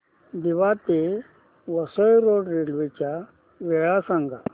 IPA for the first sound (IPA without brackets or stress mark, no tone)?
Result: d̪